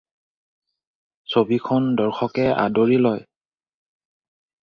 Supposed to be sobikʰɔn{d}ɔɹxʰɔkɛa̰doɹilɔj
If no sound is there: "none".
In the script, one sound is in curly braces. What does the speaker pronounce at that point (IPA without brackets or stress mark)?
d